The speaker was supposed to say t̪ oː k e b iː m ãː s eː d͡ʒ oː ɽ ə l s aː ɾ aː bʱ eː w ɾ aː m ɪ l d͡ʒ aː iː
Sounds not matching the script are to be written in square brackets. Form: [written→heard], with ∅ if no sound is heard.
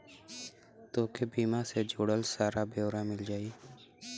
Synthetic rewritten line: t̪ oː k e b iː m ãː s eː d͡ʒ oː ɽ ə l s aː ɾ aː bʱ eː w ɾ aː m ɪ l d͡ʒ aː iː